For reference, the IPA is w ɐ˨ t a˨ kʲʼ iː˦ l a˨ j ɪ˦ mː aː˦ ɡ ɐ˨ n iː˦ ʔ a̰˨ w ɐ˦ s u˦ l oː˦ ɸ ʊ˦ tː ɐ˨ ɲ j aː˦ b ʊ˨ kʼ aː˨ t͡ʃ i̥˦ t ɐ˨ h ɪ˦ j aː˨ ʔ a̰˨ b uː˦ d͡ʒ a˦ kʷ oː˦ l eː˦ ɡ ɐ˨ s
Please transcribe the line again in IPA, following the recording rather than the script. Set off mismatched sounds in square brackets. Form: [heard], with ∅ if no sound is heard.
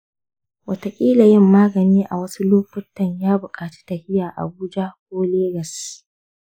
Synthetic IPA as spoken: w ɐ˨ t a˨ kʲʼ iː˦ l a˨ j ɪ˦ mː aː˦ ɡ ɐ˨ n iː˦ ʔ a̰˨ w ɐ˦ s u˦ l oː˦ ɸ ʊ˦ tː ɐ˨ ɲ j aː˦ b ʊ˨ kʼ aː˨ t͡ʃ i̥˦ t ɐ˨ h ɪ˦ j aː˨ ʔ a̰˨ b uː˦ d͡ʒ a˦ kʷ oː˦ l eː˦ ɡ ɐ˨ s

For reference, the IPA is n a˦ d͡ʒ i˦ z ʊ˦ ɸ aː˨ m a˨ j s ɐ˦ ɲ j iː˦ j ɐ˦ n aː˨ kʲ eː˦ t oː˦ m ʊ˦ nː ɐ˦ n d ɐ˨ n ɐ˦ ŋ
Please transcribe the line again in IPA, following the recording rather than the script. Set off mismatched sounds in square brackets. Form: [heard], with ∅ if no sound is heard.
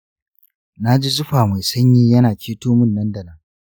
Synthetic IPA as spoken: n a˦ d͡ʒ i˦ z ʊ˦ ɸ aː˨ m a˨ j s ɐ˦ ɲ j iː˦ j ɐ˦ n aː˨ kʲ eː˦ t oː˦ m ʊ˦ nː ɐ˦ n d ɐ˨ n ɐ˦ ŋ

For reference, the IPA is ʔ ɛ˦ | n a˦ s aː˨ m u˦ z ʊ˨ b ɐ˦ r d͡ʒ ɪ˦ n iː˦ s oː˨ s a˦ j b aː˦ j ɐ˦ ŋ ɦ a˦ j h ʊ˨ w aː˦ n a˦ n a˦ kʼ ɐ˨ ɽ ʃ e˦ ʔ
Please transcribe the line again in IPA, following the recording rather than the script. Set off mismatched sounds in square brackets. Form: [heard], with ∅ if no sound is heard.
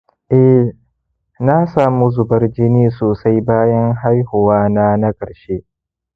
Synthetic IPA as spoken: ʔ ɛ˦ | n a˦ s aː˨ m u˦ z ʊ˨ b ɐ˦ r d͡ʒ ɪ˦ n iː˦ s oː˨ s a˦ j b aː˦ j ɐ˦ ŋ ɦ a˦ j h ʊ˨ w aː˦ n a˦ n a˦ kʼ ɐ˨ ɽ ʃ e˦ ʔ

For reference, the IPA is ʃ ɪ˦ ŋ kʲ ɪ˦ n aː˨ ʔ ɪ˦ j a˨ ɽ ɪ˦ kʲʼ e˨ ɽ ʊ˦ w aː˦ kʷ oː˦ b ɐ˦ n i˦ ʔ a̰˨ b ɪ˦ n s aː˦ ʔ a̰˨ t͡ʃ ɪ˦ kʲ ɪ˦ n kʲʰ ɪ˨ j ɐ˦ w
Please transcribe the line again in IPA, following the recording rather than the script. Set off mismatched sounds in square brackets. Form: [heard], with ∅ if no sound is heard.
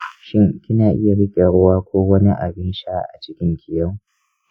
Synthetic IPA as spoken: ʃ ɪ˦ ŋ kʲ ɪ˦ n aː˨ ʔ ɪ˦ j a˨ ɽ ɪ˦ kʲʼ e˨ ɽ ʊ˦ w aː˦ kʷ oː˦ [w] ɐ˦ n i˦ ʔ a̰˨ b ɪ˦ n [ʃ] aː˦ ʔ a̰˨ t͡ʃ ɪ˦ kʲ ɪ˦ [ŋ] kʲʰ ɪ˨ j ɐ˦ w

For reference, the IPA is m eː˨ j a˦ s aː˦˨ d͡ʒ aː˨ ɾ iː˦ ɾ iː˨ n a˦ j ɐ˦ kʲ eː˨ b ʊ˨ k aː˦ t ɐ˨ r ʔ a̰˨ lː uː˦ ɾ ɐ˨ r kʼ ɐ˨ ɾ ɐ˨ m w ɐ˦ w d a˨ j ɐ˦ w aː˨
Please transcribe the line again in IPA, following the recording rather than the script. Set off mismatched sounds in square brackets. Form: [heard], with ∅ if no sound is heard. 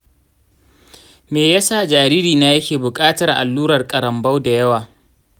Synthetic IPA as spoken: m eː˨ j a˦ s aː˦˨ d͡ʒ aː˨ ɾ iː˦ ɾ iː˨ n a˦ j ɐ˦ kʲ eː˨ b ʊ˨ [kʼ] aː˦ t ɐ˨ r ʔ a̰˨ lː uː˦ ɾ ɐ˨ r kʼ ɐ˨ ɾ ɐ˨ m [b] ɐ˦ w d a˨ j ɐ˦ w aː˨

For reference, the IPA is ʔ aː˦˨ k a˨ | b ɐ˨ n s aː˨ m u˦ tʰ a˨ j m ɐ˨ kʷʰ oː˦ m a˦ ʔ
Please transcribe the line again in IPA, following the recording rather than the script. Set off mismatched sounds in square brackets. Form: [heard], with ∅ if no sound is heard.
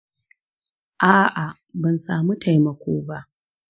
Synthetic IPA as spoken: ʔ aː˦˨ [ʔ] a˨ | b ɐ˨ n s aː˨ m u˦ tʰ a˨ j m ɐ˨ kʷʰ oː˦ [b] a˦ ʔ

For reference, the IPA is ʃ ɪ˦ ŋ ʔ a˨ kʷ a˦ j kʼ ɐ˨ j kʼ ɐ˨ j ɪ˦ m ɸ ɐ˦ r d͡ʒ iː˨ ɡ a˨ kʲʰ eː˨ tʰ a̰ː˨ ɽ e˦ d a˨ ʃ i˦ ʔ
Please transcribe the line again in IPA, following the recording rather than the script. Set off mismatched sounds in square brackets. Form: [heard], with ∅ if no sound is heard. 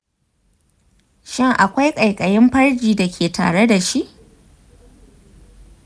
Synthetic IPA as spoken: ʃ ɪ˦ ŋ ʔ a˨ kʷ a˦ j kʼ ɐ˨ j kʼ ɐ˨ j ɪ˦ m ɸ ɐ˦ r d͡ʒ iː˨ [d] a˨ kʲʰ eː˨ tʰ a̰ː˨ ɽ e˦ d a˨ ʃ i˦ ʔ

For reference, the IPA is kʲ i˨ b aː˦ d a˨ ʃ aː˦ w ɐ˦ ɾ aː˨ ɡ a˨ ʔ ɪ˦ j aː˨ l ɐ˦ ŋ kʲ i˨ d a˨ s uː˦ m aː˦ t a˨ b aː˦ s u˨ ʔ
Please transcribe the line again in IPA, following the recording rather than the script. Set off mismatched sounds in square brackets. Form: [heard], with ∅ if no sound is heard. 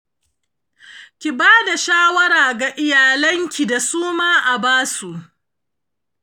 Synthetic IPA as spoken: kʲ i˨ b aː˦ d a˨ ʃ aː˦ w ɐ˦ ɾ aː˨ ɡ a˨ ʔ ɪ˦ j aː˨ l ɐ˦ ŋ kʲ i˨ d a˨ s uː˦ m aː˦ [ʔ] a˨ b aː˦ s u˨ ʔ

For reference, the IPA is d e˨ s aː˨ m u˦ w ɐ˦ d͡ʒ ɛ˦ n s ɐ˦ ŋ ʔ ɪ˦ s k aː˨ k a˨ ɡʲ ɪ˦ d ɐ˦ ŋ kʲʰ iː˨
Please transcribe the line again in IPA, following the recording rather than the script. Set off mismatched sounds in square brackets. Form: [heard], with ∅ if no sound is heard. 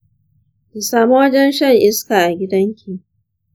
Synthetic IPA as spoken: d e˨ s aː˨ m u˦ w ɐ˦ d͡ʒ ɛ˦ n [ʃ] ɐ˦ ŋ ʔ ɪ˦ s k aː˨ [ʔ] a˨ ɡʲ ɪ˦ d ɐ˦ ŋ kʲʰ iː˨

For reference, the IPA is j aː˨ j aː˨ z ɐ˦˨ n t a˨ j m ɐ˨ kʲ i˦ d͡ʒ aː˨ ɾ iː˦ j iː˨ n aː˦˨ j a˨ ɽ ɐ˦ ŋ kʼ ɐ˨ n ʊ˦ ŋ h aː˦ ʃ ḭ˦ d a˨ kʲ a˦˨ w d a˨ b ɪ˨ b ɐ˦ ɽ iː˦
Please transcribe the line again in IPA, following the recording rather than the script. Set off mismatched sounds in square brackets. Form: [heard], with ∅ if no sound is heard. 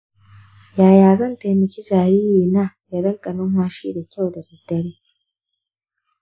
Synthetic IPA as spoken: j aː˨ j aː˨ z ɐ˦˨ n t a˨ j m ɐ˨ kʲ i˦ d͡ʒ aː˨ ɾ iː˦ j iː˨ n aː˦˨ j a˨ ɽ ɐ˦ ŋ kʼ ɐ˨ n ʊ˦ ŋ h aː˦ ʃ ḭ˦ d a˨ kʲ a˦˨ w d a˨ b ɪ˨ [d] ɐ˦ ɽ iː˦

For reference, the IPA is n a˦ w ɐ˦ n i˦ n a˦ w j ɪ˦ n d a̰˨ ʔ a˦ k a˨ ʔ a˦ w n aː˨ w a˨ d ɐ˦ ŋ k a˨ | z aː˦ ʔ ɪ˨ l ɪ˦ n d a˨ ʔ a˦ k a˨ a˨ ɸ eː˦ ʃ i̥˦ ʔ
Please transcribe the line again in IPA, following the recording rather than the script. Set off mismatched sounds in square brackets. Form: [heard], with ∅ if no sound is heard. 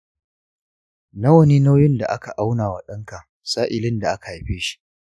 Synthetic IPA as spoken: n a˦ w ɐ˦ n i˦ n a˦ w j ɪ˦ n d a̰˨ ʔ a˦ k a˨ ʔ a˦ w n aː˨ w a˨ [ɗ] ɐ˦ ŋ k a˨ | [s] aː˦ ʔ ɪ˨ l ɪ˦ n d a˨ ʔ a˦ k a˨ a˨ ɸ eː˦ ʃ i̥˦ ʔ

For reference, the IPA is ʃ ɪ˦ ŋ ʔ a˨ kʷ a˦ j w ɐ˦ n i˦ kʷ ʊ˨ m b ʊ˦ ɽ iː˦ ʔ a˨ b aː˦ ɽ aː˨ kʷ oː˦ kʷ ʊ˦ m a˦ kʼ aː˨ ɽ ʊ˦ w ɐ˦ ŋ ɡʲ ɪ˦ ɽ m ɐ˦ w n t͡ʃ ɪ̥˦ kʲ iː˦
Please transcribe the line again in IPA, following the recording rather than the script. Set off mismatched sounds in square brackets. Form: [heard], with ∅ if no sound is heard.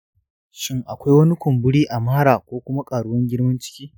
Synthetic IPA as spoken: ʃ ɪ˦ ŋ ʔ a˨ kʷ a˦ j w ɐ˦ n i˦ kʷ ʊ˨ m b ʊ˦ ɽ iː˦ ʔ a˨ [m] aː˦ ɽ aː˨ kʷ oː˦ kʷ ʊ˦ m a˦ kʼ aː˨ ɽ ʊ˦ w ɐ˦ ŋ ɡʲ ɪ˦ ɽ m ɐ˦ [∅] n t͡ʃ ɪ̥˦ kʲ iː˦

